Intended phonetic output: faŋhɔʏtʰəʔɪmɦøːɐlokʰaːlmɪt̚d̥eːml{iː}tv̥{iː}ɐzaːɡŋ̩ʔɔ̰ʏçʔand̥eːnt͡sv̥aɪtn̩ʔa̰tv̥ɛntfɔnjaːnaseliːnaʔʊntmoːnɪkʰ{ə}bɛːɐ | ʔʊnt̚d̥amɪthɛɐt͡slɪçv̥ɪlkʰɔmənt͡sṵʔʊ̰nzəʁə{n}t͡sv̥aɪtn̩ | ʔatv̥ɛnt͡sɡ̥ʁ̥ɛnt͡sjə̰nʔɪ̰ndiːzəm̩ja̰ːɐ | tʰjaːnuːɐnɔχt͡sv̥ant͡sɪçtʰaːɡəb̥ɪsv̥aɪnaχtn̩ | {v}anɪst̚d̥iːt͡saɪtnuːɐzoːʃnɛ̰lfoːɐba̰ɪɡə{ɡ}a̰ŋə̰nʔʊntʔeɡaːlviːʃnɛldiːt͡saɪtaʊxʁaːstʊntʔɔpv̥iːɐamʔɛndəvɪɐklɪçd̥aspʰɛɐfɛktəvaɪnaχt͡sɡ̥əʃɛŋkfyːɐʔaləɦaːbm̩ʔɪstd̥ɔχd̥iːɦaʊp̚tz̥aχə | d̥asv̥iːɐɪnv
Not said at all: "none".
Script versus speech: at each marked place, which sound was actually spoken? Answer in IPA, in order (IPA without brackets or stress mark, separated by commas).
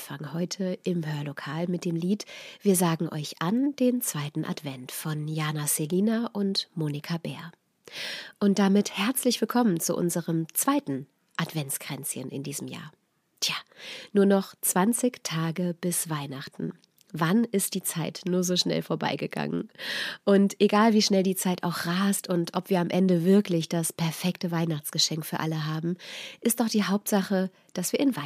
iː, iː, a, m, v, ɡ